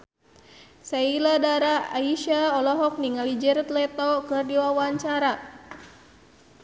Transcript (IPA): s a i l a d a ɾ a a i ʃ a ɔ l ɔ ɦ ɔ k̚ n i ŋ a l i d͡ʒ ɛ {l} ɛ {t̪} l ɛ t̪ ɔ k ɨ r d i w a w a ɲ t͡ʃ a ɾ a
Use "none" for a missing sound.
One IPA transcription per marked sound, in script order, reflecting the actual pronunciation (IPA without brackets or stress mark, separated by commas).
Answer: ɾ, t̪